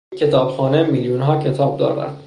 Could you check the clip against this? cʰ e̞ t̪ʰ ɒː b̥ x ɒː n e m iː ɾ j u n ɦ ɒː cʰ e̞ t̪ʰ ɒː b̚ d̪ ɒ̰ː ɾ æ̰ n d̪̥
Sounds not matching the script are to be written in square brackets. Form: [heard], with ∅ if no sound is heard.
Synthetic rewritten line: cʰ e̞ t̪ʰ ɒː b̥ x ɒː n e m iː [l] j u n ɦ ɒː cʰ e̞ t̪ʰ ɒː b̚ d̪ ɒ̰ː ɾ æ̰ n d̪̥

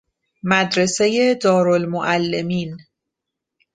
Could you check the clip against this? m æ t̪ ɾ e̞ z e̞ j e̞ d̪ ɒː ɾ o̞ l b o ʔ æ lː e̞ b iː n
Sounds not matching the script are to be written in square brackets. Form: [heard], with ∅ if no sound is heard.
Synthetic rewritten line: m æ [d̪] ɾ e̞ [s] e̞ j e̞ d̪ ɒː ɾ o̞ l [m] o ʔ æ lː e̞ [m] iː n

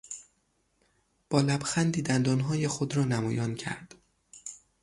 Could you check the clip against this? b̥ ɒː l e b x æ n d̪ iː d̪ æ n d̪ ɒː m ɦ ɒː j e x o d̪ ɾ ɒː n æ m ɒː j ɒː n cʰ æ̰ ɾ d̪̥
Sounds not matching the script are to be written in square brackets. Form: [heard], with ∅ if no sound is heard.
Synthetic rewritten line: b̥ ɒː l [æ] b x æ n d̪ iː d̪ æ n d̪ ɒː [n] ɦ ɒː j e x o d̪ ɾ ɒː n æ m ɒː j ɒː n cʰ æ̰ ɾ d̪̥

